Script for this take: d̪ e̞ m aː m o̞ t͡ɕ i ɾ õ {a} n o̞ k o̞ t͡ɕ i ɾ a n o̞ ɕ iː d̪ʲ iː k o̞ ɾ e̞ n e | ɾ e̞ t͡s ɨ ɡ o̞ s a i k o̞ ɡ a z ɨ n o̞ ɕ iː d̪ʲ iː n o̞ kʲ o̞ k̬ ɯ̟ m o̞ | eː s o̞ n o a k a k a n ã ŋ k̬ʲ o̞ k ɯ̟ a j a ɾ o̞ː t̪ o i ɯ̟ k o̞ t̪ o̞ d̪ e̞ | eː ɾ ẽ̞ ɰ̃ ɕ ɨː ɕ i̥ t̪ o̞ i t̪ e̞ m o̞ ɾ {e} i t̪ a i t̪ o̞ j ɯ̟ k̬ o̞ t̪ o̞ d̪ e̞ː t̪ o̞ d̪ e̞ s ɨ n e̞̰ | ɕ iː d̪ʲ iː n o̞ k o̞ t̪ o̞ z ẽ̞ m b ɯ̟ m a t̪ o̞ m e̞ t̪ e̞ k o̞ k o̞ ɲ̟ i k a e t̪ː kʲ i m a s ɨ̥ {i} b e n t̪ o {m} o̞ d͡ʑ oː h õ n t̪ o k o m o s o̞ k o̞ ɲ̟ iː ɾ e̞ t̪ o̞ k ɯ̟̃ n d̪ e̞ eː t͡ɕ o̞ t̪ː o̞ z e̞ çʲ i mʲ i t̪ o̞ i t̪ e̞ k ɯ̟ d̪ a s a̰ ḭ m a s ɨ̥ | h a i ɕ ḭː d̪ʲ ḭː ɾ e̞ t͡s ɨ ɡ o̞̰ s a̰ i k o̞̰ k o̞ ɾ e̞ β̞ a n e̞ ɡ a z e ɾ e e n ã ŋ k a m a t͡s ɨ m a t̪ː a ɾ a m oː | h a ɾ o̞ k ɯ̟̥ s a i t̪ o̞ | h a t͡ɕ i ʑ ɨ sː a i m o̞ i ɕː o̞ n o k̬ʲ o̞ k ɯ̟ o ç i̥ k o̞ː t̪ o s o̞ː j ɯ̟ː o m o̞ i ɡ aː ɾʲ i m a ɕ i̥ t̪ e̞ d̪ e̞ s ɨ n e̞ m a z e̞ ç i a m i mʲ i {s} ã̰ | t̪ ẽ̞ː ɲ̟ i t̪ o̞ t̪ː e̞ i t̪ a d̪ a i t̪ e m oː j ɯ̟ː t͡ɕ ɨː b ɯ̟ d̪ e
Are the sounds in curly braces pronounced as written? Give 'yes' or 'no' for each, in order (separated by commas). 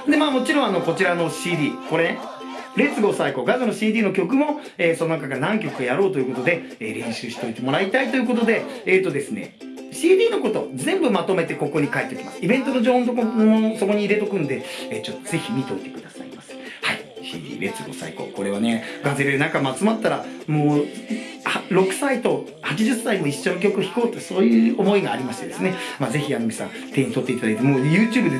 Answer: yes, no, yes, no, yes